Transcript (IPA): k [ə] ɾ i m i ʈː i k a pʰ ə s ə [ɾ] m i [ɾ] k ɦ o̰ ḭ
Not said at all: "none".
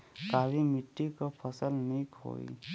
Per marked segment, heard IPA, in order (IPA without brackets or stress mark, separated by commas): a, l, none